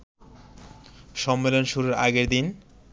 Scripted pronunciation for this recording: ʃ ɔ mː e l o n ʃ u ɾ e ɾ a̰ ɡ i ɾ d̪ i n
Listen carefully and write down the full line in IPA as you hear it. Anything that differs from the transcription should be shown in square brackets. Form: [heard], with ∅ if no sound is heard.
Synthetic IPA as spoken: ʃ ɔ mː e l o n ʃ u ɾ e ɾ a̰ ɡ [e] ɾ d̪ i n